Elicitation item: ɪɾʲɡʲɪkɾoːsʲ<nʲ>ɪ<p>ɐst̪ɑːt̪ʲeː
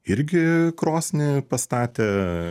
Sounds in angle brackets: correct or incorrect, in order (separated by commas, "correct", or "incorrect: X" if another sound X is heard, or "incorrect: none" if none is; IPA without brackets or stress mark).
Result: correct, correct